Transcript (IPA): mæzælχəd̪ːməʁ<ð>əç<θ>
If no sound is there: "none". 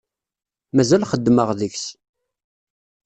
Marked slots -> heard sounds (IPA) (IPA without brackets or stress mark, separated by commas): ð, s